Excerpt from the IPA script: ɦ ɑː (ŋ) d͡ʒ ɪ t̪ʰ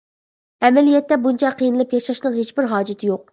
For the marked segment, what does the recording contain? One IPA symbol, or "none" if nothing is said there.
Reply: none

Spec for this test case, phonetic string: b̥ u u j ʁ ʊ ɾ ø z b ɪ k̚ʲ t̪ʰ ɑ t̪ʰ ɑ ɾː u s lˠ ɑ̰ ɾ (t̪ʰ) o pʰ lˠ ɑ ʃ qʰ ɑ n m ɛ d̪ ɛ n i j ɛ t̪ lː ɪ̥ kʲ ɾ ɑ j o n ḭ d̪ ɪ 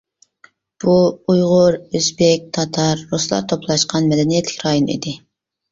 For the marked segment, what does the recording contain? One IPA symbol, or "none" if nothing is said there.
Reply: t̪ʰ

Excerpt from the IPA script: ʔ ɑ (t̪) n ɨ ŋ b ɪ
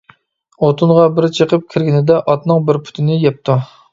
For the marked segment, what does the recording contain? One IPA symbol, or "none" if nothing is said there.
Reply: t̪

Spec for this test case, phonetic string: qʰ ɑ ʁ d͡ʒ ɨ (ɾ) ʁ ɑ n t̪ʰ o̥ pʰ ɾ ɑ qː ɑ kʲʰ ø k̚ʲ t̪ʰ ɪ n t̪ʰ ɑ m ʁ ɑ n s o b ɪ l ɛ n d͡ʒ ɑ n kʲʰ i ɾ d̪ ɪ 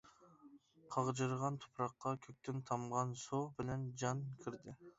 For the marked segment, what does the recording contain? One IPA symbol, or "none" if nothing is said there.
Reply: ɾ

